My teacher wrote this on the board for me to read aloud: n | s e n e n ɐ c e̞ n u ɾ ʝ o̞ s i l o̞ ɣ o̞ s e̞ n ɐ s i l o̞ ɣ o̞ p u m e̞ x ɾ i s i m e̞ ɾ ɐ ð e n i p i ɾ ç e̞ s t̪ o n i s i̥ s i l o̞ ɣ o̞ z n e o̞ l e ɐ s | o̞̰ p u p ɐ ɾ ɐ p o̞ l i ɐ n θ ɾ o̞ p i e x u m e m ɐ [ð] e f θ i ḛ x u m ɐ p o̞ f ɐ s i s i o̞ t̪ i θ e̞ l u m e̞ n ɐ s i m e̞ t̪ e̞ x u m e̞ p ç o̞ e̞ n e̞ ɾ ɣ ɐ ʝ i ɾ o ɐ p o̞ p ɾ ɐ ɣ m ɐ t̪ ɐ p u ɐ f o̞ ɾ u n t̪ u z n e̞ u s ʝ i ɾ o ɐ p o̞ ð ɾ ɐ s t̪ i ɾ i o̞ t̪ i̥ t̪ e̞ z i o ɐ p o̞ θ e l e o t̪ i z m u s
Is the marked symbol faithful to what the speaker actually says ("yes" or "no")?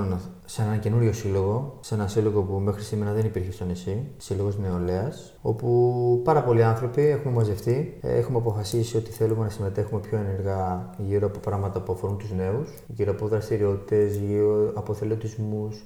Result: no